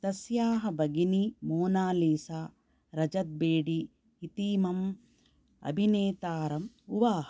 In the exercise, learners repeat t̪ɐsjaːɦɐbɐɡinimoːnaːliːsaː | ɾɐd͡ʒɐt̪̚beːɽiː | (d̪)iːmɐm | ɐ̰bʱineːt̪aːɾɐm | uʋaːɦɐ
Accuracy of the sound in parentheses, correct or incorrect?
incorrect